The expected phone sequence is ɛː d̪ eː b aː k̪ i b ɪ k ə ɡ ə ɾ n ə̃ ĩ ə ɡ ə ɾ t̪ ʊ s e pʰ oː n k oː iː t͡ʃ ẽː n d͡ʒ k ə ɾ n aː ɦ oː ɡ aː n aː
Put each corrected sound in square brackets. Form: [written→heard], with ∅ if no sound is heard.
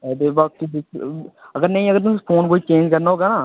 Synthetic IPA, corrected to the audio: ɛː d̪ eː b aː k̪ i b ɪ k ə ɡ ə ɾ n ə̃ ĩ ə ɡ ə ɾ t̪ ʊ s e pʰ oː n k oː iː t͡ʃ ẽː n d͡ʒ k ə ɾ n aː ɦ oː ɡ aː n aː